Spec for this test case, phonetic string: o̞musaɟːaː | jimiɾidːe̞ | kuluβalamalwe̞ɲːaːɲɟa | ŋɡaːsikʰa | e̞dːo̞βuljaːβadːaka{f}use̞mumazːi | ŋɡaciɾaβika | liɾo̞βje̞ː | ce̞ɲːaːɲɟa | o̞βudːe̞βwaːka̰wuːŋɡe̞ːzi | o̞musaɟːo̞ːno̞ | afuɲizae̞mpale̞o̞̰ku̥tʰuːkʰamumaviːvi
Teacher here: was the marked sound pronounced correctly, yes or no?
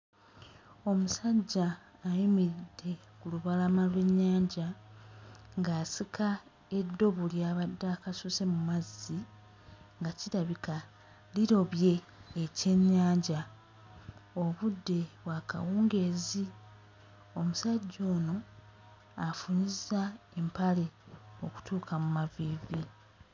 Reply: no